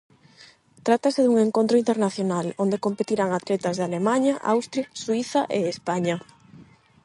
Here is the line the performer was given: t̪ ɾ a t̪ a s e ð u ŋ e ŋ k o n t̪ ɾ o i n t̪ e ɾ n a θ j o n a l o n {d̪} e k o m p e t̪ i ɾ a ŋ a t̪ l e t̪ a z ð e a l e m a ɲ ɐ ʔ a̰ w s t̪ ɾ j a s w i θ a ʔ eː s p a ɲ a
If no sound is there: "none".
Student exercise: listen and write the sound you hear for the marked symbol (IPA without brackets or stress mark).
d̪